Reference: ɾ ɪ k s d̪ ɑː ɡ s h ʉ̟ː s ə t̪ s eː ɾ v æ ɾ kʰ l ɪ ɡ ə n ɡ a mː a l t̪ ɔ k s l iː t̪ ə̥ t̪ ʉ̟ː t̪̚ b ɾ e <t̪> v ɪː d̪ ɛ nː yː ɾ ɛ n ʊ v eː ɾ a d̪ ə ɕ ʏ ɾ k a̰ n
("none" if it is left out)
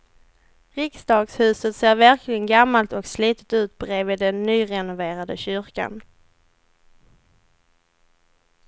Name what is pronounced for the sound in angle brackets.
none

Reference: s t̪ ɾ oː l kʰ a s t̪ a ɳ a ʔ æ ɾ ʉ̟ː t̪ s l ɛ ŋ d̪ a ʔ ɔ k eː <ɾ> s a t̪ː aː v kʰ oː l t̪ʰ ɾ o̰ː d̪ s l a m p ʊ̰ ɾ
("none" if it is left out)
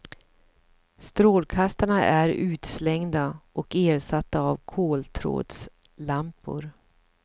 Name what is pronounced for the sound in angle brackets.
ɾ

